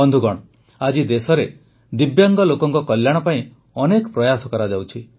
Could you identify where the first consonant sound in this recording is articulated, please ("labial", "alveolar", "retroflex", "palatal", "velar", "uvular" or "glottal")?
alveolar